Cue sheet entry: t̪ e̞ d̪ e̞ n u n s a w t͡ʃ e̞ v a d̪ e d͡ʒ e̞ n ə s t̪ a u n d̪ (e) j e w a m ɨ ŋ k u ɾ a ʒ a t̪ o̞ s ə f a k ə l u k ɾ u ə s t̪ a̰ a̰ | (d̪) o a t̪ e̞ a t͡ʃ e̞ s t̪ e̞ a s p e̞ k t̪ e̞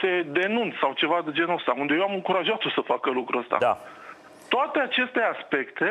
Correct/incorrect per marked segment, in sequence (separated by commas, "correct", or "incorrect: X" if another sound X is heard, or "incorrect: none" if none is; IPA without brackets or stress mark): correct, incorrect: t̪